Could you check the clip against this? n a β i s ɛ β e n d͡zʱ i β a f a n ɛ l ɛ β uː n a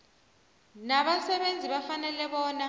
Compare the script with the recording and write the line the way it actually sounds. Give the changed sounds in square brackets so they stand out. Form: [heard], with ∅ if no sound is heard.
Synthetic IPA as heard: n a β [a] s ɛ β e n d͡zʱ i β a f a n ɛ l ɛ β [ɔː] n a